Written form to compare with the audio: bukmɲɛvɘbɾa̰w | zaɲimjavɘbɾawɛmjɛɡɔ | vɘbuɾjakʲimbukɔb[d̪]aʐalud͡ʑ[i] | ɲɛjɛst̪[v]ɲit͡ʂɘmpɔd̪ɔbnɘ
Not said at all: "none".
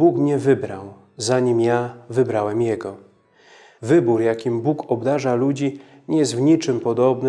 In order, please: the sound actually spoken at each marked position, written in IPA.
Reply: d̪, i, v

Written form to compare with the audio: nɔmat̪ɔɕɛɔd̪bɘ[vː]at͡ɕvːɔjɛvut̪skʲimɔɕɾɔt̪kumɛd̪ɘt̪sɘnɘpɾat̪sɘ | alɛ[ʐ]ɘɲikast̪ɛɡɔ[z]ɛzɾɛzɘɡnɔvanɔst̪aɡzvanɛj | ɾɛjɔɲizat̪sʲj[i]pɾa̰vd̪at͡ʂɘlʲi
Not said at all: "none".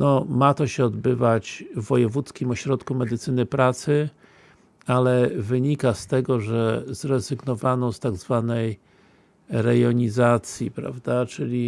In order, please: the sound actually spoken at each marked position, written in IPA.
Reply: v, v, ʐ, i

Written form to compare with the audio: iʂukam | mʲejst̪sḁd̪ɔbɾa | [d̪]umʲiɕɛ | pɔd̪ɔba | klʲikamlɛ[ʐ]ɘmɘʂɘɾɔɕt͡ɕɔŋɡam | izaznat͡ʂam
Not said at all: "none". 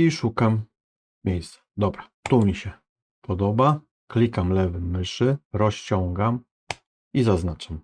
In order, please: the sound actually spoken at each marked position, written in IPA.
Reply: t̪, v

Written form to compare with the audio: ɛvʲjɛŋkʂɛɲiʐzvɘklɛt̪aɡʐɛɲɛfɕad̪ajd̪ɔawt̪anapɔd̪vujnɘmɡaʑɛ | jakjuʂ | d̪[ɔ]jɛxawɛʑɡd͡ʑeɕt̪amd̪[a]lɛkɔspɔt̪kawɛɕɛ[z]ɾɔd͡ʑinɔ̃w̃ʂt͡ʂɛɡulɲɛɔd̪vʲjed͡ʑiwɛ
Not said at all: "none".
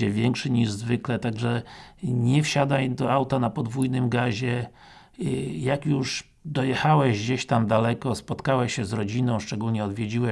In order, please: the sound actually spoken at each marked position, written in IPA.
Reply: ɔ, a, z

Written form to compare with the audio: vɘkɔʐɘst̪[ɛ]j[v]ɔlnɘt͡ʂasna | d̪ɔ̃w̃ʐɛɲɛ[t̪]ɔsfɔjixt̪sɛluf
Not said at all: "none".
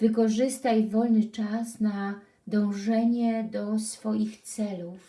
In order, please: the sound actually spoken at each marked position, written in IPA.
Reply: a, v, d̪

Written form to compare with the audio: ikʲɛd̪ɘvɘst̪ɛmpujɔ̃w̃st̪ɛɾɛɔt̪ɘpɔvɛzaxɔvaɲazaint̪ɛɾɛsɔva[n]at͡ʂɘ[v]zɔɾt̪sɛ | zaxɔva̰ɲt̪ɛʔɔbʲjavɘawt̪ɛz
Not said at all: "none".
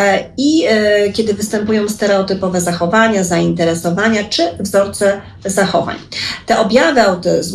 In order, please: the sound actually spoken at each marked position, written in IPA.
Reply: ɲ, v

